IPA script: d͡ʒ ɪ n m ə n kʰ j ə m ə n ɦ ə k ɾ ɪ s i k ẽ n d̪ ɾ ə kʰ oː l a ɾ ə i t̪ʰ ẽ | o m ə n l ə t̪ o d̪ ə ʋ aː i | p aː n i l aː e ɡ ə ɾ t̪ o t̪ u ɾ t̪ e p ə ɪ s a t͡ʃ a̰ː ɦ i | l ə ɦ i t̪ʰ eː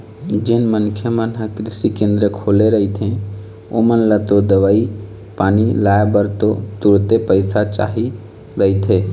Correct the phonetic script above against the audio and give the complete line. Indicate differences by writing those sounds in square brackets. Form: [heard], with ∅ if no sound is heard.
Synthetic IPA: d͡ʒ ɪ n m ə n kʰ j ə m ə n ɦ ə k ɾ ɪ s i k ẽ n d̪ ɾ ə kʰ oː l [e] ɾ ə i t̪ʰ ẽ | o m ə n l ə t̪ o d̪ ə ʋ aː i | p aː n i l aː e [b] ə ɾ t̪ o t̪ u ɾ t̪ e p ə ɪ s a t͡ʃ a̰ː ɦ i | [ɾ] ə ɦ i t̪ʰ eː